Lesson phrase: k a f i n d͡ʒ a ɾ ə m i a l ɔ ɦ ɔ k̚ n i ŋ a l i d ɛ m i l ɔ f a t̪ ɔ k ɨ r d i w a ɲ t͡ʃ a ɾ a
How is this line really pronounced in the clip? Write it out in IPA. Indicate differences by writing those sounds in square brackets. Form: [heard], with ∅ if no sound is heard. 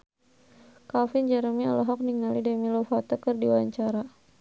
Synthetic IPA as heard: k a f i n d͡ʒ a ɾ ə m i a l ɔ ɦ ɔ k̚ n i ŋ a l i d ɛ m i l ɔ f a t̪ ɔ k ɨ r d i w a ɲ t͡ʃ a ɾ a